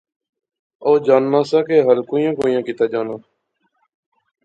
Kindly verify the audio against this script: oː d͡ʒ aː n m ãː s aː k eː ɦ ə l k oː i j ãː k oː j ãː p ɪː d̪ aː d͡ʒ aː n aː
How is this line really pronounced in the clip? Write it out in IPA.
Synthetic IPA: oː d͡ʒ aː n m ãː s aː k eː ɦ ə l k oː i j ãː k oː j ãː k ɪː t̪ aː d͡ʒ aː n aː